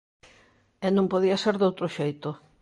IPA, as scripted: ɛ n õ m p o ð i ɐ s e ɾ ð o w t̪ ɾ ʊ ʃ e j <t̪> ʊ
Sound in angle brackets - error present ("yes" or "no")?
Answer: no